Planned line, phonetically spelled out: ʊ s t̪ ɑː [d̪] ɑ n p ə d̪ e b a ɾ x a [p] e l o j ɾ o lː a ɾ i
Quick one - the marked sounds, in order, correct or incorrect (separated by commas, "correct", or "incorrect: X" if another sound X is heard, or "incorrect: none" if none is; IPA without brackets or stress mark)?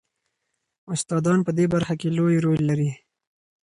correct, incorrect: k